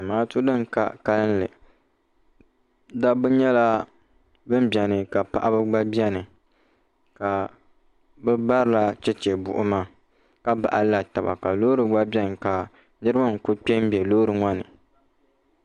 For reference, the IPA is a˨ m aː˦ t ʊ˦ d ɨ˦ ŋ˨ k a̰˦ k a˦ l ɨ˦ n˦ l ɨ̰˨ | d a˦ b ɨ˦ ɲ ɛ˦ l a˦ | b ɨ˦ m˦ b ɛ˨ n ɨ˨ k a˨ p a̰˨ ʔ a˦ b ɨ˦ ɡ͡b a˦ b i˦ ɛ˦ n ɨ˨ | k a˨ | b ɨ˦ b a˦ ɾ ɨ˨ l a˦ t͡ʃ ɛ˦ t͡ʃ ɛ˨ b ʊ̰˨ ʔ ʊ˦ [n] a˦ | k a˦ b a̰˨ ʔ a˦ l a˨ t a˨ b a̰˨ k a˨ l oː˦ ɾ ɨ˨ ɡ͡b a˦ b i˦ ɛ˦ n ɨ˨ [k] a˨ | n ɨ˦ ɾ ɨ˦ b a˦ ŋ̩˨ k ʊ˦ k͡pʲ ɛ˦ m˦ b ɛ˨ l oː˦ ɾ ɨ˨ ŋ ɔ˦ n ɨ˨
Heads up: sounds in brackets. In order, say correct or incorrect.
incorrect: m, correct

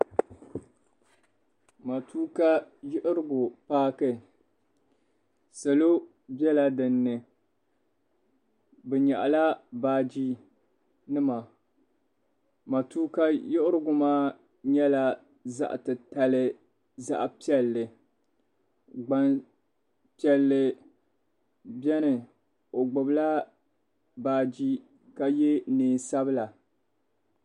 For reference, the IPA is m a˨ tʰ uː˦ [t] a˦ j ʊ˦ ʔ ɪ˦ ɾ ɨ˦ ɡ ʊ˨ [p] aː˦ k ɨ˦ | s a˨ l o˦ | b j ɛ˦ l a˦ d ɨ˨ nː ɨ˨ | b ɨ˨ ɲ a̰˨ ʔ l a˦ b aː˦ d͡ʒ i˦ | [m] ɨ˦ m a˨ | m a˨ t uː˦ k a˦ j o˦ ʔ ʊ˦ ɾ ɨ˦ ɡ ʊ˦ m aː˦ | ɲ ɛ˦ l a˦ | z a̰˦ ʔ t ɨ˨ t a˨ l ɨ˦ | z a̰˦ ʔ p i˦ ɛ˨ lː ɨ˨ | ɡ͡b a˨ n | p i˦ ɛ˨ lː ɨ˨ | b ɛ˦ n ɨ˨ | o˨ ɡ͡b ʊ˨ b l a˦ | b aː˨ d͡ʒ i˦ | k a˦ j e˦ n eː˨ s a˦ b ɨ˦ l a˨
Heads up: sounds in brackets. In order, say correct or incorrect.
incorrect: k, correct, incorrect: n

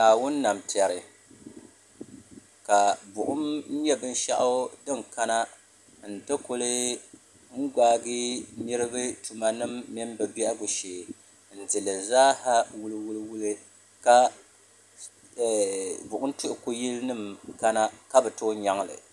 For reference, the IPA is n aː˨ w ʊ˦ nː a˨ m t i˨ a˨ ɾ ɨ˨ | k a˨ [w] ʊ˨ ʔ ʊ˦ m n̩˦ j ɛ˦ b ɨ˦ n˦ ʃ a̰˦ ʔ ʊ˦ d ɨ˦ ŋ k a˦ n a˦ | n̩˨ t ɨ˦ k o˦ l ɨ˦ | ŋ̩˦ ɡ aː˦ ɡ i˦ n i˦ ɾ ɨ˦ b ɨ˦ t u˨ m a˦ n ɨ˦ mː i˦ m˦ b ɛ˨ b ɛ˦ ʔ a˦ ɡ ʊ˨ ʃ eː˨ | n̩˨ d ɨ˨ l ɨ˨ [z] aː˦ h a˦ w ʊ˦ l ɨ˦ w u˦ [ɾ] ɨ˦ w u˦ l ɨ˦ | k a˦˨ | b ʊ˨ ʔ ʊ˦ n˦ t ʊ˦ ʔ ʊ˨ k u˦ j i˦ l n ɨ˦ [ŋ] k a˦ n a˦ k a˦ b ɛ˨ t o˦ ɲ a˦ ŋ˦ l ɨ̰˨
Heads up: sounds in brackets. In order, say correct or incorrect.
incorrect: b, correct, incorrect: l, incorrect: m

